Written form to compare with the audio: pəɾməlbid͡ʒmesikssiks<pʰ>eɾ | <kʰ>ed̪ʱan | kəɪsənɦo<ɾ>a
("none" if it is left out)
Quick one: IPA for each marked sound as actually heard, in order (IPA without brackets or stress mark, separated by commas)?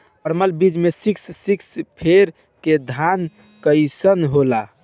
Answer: pʰ, k, l